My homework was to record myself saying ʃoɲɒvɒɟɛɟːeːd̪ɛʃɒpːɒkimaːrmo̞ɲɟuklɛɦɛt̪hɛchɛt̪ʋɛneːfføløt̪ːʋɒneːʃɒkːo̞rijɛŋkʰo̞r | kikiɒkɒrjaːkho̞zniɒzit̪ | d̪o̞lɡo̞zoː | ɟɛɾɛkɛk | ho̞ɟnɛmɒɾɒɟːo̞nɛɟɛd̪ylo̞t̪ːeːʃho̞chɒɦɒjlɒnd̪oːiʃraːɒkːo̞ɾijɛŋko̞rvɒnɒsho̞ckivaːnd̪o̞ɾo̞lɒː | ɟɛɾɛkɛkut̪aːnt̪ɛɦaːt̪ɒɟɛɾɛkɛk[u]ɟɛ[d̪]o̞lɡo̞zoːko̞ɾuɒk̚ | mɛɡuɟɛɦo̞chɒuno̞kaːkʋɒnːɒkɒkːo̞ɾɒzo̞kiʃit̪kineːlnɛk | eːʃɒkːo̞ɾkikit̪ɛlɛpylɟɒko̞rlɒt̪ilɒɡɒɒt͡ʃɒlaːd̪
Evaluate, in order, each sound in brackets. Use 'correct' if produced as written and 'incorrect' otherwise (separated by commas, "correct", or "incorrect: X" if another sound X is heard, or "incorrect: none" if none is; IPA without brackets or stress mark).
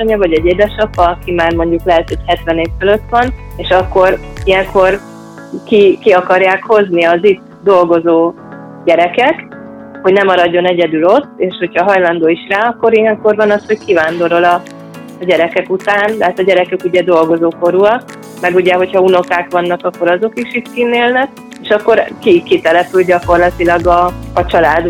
correct, correct